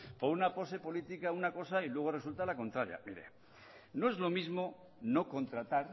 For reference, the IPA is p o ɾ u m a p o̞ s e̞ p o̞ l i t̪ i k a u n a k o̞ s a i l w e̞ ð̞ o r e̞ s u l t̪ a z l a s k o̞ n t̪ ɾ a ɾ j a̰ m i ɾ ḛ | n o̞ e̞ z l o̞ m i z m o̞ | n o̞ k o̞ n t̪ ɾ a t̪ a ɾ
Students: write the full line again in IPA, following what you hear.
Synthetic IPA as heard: p o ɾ u n a p o̞ s e̞ p o̞ l i t̪ i k a u n a k o̞ s a i l w e̞ ɣ̞ o r e̞ s u l t̪ a l a k o̞ n t̪ ɾ a ɾ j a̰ m i ɾ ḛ | n o̞ e̞ z l o̞ m i z m o̞ | n o̞ k o̞ n t̪ ɾ a t̪ a ɾ